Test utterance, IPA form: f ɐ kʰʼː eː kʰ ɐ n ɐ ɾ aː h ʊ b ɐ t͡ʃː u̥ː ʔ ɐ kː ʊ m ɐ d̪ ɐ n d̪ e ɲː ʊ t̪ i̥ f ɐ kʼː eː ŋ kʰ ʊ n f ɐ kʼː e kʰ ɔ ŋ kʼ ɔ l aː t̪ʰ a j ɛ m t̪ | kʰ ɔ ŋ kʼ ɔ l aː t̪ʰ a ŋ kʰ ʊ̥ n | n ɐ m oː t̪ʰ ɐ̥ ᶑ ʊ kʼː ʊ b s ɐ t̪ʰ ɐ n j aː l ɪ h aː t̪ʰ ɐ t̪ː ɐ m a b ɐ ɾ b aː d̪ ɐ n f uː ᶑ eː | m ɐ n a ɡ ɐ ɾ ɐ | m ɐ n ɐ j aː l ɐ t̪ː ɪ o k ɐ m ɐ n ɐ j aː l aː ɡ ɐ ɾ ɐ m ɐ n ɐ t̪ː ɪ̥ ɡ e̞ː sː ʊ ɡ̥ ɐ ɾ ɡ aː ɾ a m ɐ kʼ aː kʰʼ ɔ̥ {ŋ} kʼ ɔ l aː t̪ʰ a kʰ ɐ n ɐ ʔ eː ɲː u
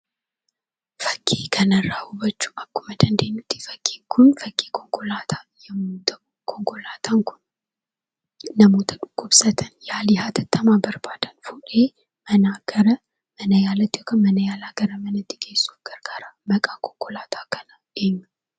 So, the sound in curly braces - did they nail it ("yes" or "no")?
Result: yes